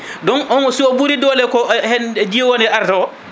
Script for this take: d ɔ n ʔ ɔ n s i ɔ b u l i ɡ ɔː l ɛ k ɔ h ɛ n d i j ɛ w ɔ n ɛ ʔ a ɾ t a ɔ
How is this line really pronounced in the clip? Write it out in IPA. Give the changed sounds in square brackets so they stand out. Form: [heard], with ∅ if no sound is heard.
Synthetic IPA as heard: d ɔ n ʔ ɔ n s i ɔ b u [ɾ] i [d] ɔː l ɛ k ɔ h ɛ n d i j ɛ w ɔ n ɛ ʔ a ɾ t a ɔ